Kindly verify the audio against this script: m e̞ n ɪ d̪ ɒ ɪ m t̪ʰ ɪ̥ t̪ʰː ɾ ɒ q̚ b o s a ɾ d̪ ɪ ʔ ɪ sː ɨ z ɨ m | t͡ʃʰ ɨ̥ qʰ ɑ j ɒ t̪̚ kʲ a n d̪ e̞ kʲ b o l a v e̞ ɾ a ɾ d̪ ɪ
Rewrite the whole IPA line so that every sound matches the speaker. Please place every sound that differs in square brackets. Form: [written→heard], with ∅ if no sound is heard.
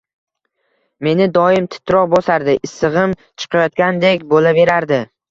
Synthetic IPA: m e̞ n ɪ d̪ ɒ ɪ m t̪ʰ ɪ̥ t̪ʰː ɾ ɒ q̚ b o s a ɾ d̪ ɪ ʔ ɪ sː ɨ [z→ʁ] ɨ m | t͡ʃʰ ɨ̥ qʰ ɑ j ɒ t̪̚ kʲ a n d̪ e̞ kʲ b o l a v e̞ ɾ a ɾ d̪ ɪ